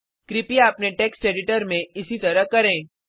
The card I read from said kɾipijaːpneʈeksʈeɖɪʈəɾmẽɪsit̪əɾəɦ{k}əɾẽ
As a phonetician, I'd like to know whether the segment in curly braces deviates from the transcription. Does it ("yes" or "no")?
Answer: no